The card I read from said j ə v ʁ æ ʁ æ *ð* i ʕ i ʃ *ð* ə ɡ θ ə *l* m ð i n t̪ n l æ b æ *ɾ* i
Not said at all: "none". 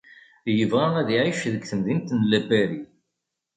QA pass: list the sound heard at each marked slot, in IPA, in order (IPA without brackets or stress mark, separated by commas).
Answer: ð, ð, none, ɾ